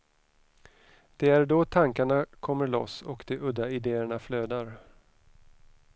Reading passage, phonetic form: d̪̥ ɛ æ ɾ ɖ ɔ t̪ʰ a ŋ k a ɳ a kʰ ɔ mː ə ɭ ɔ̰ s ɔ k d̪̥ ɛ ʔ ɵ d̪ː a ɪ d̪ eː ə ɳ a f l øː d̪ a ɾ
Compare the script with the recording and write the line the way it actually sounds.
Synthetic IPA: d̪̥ ɛ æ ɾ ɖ ɔ t̪ʰ a ŋ k a ɳ a kʰ ɔ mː ə ɭ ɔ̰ s ɔ k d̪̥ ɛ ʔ ɵ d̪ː a ɪ d̪ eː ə ɳ a f l øː d̪ a ɾ